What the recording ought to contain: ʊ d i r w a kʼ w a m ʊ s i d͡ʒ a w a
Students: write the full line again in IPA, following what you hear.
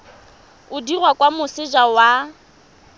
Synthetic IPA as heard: ʊ d i r w a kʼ w a m ʊ s ɪ d͡ʒ a w a

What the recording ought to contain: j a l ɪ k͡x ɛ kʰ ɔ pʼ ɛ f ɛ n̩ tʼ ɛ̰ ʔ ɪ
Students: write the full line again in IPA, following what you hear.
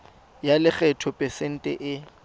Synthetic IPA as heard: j a l ɪ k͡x ɛ tʰ ɔ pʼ ɛ s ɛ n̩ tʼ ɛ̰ ʔ ɪ

